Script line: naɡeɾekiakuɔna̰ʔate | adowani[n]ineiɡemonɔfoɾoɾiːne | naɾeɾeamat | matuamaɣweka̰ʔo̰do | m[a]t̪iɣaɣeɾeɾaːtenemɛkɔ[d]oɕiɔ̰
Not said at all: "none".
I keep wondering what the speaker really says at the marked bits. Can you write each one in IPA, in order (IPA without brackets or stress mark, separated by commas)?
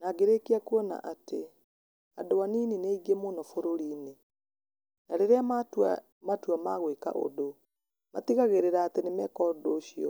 n, a, d